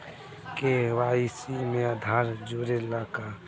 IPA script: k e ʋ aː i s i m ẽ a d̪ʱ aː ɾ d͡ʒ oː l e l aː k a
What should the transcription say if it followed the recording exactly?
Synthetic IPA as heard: k e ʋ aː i s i m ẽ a d̪ʱ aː ɾ d͡ʒ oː ɾ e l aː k a